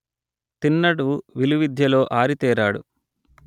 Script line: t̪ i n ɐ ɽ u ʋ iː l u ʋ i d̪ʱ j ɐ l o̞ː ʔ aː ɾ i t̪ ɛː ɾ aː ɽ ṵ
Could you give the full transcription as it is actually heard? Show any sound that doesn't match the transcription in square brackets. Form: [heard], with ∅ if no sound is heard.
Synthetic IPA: t̪ i [nː] ɐ ɽ u ʋ [i] l u ʋ i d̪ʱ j ɐ l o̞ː ʔ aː ɾ i t̪ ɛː ɾ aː ɽ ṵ

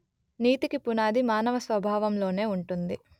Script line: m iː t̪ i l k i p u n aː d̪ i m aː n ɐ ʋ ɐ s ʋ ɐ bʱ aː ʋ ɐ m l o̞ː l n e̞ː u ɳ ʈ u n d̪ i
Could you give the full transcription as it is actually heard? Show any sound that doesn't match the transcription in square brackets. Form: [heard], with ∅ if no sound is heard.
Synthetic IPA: [n] iː t̪ i [∅] k i p u n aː d̪ i m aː n ɐ ʋ ɐ s ʋ ɐ bʱ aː ʋ ɐ m l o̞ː [∅] n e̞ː u ɳ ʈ u n d̪ i

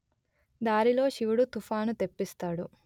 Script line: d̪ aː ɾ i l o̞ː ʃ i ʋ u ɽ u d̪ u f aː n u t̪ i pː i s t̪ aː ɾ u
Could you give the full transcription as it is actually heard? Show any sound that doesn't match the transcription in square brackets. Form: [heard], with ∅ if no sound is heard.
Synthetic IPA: d̪ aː ɾ i l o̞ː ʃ i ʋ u ɽ u [t̪] u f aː n u t̪ [e] pː i s t̪ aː [ɽ] u

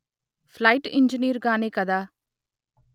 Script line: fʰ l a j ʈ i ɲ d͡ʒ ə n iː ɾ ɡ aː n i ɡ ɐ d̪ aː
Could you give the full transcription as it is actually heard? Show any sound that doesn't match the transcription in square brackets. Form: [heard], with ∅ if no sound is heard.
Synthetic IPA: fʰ l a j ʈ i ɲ d͡ʒ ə n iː ɾ ɡ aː n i [k] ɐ d̪ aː

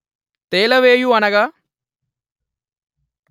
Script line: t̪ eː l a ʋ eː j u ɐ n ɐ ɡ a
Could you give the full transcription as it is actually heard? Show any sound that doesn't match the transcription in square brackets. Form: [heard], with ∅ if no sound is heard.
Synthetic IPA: t̪ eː l [ɐ] ʋ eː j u ɐ n ɐ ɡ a

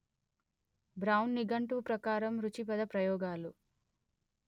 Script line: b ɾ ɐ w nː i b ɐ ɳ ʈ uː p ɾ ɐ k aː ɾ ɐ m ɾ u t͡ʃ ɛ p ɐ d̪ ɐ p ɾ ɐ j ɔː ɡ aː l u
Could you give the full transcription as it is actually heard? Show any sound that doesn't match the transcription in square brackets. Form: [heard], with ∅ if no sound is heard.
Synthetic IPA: b ɾ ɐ w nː i [ɡ] ɐ ɳ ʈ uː p ɾ ɐ k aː ɾ ɐ m ɾ u t͡ʃ [i] p ɐ d̪ ɐ p ɾ ɐ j ɔː ɡ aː l u

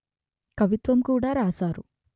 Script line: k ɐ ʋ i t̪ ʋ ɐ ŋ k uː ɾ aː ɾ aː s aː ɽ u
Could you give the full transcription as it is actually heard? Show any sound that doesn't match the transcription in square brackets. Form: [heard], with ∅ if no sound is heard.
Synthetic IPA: k ɐ ʋ i t̪ ʋ ɐ [m] k uː [ɽ] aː ɾ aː s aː [ɾ] u

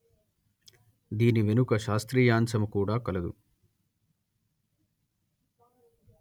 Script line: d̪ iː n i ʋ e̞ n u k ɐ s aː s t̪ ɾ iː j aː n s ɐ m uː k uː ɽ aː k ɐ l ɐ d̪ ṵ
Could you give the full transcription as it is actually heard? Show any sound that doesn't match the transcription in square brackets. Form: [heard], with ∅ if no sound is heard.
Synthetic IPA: d̪ iː n i ʋ e̞ n u k ɐ [ʃ] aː s t̪ ɾ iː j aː n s ɐ m [u] k uː ɽ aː k ɐ l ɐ d̪ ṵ

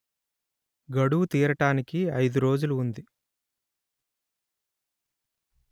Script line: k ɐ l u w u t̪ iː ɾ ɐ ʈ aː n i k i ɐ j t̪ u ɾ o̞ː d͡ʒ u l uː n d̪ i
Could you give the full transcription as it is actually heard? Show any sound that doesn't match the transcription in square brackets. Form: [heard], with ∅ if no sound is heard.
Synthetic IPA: [ɡ] ɐ [ɽ] u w u t̪ iː ɾ ɐ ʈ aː n i k i ɐ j [d̪] u ɾ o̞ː d͡ʒ u l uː n d̪ i

